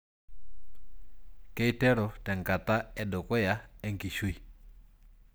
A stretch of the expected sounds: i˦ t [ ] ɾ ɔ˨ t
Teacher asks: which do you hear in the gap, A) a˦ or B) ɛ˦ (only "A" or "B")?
B